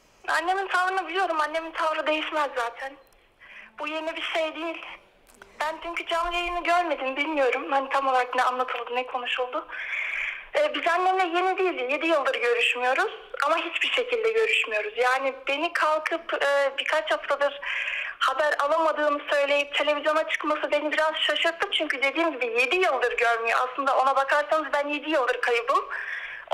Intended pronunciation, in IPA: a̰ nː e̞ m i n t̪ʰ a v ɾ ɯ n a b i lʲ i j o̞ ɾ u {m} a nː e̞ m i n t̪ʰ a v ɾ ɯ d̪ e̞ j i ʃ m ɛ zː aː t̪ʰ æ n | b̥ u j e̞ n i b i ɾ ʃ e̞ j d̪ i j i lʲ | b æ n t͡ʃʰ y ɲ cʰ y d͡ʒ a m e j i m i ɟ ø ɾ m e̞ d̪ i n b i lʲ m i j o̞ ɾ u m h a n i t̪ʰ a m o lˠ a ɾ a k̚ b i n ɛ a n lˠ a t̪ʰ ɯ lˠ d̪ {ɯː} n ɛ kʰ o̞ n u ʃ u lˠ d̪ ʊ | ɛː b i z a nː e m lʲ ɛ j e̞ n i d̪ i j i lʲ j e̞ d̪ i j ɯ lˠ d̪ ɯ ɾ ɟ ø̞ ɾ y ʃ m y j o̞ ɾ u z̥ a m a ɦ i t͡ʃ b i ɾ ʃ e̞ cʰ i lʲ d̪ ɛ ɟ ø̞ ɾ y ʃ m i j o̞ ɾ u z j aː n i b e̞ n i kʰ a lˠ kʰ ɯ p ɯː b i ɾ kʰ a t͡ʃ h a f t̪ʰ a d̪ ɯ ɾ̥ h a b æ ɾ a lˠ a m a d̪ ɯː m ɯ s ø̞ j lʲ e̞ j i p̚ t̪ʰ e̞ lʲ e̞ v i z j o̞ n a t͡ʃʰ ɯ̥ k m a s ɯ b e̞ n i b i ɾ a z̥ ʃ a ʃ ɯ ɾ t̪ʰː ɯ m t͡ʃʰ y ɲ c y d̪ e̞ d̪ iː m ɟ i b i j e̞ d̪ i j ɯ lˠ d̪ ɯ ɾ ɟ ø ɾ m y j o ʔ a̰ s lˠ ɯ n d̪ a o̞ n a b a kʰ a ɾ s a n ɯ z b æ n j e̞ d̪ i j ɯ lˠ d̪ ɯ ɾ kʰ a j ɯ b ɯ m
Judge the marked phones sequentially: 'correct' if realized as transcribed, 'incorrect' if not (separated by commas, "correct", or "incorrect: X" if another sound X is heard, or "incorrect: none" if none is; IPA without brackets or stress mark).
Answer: correct, incorrect: ɯ